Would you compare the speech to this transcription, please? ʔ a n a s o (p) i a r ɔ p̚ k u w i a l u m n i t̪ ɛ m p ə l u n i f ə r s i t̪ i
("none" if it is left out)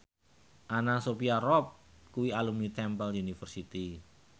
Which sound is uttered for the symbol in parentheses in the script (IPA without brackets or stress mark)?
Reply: p